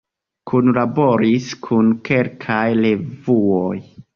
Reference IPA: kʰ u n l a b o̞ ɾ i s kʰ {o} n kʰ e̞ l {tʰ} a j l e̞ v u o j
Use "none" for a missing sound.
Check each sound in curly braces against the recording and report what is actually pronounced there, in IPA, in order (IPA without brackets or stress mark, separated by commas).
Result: u, kʰ